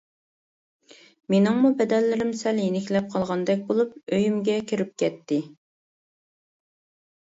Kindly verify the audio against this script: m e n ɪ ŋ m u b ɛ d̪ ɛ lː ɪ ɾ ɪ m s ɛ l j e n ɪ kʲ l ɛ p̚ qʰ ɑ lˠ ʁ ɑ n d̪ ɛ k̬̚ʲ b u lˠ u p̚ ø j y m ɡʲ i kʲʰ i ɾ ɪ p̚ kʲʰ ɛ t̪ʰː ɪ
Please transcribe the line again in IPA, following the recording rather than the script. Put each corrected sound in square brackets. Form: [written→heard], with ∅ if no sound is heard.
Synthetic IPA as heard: m e n ɪ ŋ m u b ɛ d̪ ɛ lː ɪ ɾ ɪ m s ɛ l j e n ɪ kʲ l ɛ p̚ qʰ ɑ lˠ ʁ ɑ n d̪ ɛ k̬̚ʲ b [u→o] lˠ u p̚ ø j y m ɡʲ [i→ɛ] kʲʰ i ɾ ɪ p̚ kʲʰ ɛ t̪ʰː ɪ

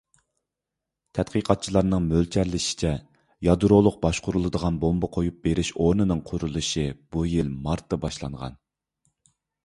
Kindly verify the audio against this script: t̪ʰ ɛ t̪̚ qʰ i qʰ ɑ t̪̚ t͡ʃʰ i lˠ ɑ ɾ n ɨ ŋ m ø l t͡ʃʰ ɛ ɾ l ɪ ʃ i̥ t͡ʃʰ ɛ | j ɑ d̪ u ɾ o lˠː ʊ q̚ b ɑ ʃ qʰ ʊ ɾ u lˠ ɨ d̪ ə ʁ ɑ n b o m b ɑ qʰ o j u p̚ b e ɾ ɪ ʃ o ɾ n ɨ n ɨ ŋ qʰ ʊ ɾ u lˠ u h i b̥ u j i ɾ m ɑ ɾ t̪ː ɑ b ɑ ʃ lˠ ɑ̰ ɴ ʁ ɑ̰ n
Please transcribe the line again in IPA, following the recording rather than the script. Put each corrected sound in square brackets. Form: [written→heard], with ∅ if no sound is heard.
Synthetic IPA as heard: t̪ʰ ɛ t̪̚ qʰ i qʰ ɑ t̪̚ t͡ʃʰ i lˠ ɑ ɾ n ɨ ŋ m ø l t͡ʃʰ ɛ ɾ l ɪ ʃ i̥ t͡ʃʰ ɛ | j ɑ d̪ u ɾ o [lˠː→lˠ] ʊ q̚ b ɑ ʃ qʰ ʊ ɾ u lˠ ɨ d̪ ə ʁ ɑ n b o m b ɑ qʰ o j u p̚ b e ɾ ɪ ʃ o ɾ n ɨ n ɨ ŋ qʰ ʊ ɾ u lˠ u [h→ʃ] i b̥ u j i [ɾ→l] m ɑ ɾ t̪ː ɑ b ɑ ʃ lˠ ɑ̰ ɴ ʁ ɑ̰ n

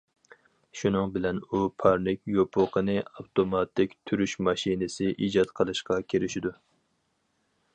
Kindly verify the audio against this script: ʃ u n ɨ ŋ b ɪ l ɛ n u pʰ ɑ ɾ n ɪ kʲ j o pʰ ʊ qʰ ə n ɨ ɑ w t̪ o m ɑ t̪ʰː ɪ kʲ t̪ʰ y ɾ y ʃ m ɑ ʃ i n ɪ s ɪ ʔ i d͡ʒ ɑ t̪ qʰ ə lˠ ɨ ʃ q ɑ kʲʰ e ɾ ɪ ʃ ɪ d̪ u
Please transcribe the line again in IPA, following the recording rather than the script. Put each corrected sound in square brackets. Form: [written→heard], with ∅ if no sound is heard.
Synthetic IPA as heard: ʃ u n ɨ ŋ b ɪ l ɛ n u pʰ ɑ ɾ n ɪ kʲ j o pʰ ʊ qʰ ə n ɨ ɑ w t̪ o m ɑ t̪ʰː ɪ kʲ t̪ʰ y ɾ y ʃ m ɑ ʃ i n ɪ s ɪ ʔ i d͡ʒ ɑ t̪ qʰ ə lˠ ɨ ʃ q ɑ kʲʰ e ɾ ɪ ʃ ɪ d̪ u

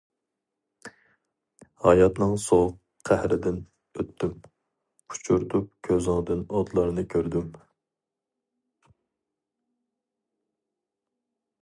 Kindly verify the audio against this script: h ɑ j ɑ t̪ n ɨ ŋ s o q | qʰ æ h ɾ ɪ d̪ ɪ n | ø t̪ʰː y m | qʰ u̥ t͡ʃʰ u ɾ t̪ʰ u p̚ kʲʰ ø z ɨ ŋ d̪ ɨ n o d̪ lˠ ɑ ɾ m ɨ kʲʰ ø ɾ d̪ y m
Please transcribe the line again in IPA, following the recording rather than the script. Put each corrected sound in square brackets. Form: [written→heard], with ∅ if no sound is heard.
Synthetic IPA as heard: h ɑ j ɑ t̪ n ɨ ŋ s o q | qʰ æ h ɾ ɪ d̪ ɪ n | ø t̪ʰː y m | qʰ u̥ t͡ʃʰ u ɾ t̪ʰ u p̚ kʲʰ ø z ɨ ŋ d̪ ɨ n o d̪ lˠ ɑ ɾ [m→n] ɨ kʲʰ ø ɾ d̪ y m

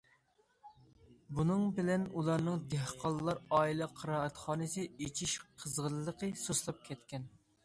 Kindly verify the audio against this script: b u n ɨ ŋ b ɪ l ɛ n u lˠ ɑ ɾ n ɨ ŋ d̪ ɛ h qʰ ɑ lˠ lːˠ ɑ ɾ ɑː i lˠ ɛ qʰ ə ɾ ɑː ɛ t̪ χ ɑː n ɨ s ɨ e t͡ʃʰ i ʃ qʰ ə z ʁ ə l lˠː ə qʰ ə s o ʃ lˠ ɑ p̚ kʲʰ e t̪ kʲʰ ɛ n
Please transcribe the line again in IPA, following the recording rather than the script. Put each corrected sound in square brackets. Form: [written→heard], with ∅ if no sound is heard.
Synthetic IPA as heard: b u n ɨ ŋ b ɪ l ɛ n u lˠ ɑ ɾ n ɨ ŋ d̪ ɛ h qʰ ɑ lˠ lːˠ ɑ ɾ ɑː i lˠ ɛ qʰ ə ɾ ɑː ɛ t̪ χ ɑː n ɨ s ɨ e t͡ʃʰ i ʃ qʰ ə z ʁ ə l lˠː ə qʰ ə s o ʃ lˠ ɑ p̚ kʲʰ [e→ɛ] t̪ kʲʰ ɛ n

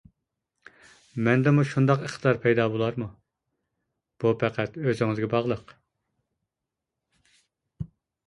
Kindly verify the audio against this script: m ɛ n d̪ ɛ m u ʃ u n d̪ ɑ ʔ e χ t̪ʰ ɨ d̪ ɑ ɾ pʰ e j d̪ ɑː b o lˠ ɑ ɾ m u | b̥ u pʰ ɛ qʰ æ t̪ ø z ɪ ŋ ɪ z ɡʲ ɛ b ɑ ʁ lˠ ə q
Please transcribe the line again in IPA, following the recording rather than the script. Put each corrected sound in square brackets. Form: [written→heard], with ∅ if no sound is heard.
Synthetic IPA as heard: m ɛ n d̪ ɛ m u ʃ u n d̪ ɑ [ʔ→q] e χ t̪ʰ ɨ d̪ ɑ ɾ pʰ [e→ɛ] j d̪ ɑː b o lˠ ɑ ɾ m u | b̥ u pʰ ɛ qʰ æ t̪ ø z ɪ ŋ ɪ z ɡʲ ɛ b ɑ ʁ lˠ ə q

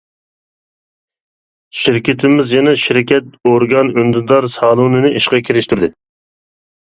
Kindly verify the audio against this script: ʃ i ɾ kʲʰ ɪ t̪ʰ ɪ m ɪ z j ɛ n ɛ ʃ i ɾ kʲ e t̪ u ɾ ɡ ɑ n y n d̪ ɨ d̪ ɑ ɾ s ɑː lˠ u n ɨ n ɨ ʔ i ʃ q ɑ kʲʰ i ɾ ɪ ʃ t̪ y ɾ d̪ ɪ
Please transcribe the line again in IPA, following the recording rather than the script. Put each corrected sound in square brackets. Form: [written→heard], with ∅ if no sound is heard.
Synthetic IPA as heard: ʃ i ɾ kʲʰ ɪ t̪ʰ ɪ m ɪ z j ɛ n ɛ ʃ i ɾ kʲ [e→ɛ] t̪ [u→o] ɾ ɡ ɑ n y n d̪ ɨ d̪ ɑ ɾ s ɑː lˠ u n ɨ n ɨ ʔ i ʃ q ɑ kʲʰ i ɾ ɪ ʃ t̪ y ɾ d̪ ɪ

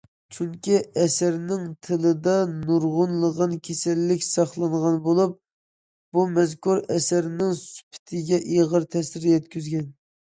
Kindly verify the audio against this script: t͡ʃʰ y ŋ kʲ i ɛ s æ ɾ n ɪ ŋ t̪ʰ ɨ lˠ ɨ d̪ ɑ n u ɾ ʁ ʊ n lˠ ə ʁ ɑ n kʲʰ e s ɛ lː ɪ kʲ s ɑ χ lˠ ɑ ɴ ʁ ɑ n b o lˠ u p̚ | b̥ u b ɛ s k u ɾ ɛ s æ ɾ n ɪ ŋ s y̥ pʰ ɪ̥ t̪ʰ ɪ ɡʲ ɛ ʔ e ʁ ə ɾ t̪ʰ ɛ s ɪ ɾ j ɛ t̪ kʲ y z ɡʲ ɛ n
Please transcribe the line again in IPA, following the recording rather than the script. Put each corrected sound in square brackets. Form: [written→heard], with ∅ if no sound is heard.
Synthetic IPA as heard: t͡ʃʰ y ŋ kʲ i ɛ s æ ɾ n ɪ ŋ t̪ʰ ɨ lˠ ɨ d̪ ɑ n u ɾ ʁ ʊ n lˠ ə ʁ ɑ n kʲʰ e s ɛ lː ɪ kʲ s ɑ χ lˠ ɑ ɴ ʁ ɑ n b o lˠ u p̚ | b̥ u [b→m] ɛ [s→z] k u ɾ ɛ s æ ɾ n ɪ ŋ s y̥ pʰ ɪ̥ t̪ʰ ɪ ɡʲ ɛ ʔ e ʁ ə ɾ t̪ʰ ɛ s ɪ ɾ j ɛ t̪ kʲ y z ɡʲ ɛ n

